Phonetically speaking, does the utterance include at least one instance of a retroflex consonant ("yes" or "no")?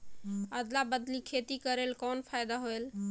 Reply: no